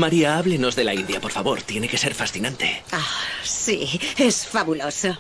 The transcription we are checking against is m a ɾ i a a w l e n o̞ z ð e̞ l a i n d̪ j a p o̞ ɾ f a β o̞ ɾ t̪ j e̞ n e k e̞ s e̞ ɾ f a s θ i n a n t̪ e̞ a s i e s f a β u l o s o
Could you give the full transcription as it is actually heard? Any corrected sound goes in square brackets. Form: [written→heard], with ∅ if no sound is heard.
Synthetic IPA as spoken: m a ɾ i a a [w→β] l e n o̞ z ð e̞ l a i n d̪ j a p o̞ ɾ f a β o̞ ɾ t̪ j e̞ n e k e̞ s e̞ ɾ f a s θ i n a n t̪ e̞ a s i e s f a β u l o s o